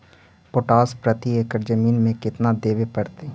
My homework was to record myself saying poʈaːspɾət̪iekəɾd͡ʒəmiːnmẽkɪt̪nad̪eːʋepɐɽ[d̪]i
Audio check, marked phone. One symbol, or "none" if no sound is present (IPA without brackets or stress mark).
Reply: t̪